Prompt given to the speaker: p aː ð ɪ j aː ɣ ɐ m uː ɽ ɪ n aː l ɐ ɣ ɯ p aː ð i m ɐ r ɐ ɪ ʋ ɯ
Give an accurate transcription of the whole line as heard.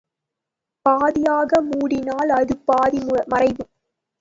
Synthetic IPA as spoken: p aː ð ɪ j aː ɣ ɐ m uː ɽ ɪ n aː l ɐ ð ɯ p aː ð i m ɐ r ɐ ɪ ʋ ɯ